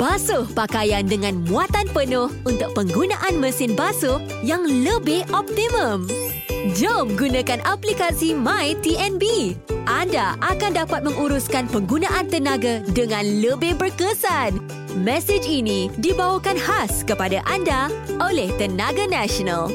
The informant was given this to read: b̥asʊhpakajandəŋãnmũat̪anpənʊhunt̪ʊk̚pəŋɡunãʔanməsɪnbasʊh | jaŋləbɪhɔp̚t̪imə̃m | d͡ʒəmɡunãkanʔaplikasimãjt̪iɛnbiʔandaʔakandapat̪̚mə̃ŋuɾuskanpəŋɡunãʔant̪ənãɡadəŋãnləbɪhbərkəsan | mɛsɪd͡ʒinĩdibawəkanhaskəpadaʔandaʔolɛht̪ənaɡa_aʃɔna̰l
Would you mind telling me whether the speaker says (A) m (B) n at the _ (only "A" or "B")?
B